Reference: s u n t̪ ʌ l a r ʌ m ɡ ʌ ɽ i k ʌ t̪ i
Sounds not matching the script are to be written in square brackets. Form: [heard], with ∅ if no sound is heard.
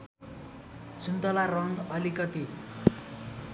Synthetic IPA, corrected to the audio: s u n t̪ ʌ l a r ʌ [ŋ] ɡ ʌ [l] i k ʌ t̪ i